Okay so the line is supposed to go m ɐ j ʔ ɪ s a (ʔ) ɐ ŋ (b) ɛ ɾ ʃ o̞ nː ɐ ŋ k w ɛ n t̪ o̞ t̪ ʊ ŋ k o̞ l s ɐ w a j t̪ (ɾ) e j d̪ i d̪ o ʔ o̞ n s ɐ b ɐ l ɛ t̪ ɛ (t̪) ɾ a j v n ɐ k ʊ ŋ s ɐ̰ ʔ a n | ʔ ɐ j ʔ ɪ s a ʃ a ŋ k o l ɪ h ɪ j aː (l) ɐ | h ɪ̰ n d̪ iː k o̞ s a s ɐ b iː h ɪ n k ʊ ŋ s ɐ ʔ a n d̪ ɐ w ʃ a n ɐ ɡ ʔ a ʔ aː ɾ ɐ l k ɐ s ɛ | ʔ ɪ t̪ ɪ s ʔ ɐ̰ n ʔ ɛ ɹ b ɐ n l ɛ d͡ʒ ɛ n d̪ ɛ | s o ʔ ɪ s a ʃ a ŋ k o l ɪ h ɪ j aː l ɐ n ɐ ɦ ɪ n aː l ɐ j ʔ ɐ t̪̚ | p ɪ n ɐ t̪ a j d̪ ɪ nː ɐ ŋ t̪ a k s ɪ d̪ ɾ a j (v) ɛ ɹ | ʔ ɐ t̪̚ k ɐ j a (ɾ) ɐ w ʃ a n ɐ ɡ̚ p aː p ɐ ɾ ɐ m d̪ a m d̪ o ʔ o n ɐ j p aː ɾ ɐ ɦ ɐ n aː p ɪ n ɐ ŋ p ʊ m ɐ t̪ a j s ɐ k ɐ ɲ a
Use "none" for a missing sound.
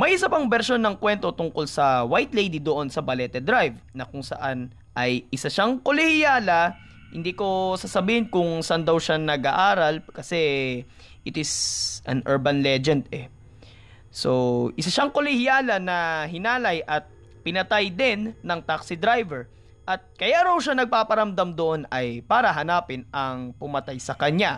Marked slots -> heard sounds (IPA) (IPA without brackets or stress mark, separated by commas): p, b, l, d̪, l, v, ɾ